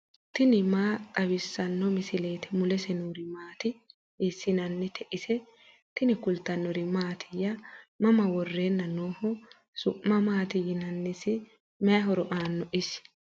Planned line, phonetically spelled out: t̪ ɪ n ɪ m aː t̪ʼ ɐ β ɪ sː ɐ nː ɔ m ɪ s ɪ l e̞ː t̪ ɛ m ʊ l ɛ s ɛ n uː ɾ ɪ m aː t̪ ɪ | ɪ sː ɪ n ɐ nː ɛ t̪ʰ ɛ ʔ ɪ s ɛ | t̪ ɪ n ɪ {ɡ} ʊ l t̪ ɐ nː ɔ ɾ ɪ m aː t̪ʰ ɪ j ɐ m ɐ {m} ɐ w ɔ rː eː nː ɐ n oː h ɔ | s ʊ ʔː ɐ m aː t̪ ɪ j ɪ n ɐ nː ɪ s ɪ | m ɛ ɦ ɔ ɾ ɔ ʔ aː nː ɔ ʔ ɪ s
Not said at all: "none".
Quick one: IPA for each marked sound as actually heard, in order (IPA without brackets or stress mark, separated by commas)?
k, m